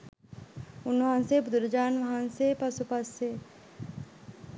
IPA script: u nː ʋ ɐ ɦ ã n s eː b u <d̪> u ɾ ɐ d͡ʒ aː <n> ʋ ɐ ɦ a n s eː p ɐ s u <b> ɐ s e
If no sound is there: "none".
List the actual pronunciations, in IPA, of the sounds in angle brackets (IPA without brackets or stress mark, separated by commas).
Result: d̪, n, p